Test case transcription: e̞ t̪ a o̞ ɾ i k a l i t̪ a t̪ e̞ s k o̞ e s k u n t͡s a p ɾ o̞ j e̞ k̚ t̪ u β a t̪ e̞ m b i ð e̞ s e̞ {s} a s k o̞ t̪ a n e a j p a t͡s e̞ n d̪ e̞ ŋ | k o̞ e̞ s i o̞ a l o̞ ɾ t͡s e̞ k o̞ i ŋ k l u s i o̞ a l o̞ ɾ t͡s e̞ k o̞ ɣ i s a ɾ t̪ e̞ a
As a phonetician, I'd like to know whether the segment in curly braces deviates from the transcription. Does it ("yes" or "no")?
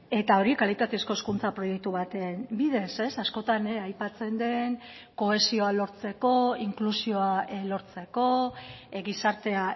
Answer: no